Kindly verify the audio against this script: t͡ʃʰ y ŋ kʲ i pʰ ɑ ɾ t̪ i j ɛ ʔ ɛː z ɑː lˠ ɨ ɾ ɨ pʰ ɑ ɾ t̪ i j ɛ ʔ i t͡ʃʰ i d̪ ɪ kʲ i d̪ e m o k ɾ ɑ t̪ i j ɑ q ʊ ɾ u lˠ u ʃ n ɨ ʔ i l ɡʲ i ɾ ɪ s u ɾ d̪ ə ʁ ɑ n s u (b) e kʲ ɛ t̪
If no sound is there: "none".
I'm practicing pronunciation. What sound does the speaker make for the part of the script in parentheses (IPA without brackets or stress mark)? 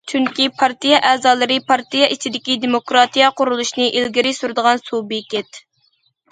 b